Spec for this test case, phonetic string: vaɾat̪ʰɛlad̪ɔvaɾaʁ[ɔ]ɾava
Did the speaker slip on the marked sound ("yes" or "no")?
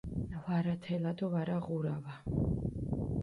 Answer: yes